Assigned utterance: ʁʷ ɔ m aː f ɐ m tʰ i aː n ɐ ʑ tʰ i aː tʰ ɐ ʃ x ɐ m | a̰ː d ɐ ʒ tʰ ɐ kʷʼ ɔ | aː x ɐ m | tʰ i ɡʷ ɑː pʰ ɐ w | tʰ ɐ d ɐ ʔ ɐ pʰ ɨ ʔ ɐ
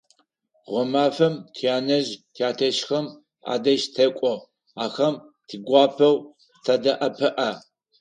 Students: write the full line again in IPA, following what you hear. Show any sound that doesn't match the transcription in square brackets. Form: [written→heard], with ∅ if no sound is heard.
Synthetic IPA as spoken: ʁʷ ɔ m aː f ɐ m tʰ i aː n ɐ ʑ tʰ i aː tʰ ɐ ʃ x ɐ m | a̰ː d ɐ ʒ tʰ ɐ kʷʼ ɔ | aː x ɐ m | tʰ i ɡʷ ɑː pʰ ɐ w | tʰ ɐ d ɐ ʔ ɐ pʰ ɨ ʔ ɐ